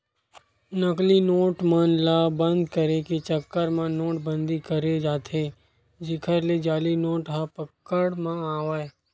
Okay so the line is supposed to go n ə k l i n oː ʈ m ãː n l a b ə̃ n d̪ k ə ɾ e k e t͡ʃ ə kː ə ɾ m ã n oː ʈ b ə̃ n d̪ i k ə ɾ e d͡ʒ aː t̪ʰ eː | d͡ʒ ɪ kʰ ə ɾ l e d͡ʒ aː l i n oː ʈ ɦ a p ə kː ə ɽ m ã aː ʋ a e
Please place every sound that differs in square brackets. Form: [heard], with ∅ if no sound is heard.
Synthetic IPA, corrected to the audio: n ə k l i n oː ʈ m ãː n l a b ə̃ n d̪ k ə ɾ e k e t͡ʃ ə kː ə ɾ m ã n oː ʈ b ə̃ n d̪ i k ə ɾ e d͡ʒ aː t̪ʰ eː | d͡ʒ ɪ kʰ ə ɾ l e d͡ʒ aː l i n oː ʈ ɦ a p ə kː ə ɽ m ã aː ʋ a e